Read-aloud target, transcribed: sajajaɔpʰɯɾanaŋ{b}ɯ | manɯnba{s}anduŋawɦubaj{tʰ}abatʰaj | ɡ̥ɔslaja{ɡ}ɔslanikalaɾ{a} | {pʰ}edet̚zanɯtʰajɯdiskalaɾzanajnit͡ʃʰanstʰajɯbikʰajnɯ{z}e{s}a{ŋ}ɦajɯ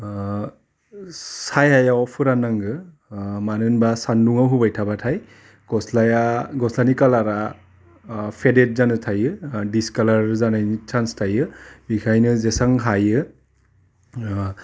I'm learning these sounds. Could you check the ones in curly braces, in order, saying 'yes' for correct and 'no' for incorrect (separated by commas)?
no, yes, yes, yes, yes, yes, yes, yes, yes